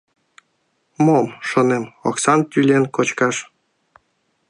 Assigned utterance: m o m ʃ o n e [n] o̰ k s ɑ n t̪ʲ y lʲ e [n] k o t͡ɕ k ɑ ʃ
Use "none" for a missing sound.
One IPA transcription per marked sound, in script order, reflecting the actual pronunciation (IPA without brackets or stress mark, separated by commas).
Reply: m, n